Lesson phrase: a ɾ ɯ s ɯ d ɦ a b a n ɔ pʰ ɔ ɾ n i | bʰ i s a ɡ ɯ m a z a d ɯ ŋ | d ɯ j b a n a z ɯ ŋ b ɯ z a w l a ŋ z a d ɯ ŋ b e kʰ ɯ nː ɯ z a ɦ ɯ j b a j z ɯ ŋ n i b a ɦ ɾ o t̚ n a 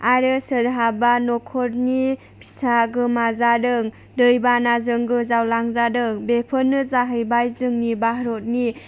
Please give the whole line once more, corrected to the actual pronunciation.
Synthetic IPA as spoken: a ɾ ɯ s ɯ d ɦ a b a n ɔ kʰ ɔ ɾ n i | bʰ i s a ɡ ɯ m a z a d ɯ ŋ | d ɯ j b a n a z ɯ ŋ ɡ ɯ z a w l a ŋ z a d ɯ ŋ b e pʰ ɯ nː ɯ z a ɦ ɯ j b a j z ɯ ŋ n i b a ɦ ɾ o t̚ n i